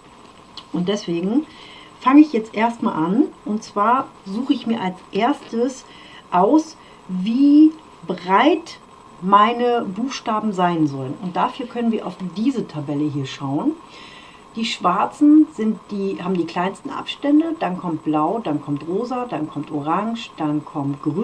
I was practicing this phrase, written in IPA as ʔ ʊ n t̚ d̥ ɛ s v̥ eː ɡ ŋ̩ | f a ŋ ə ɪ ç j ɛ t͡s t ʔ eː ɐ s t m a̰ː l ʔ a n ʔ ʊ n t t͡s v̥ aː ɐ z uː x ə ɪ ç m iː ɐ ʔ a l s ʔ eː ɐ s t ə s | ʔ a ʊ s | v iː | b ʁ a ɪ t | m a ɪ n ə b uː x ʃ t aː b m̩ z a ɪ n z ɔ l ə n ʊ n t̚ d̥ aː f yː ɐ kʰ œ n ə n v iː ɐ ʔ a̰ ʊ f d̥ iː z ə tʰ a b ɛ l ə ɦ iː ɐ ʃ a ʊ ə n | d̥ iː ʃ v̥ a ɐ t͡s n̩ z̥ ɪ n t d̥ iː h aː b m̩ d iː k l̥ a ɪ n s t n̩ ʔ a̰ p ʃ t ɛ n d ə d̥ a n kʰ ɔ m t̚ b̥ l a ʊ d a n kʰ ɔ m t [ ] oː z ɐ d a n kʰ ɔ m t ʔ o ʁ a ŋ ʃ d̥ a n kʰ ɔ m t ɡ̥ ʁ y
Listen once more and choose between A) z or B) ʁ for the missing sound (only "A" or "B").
B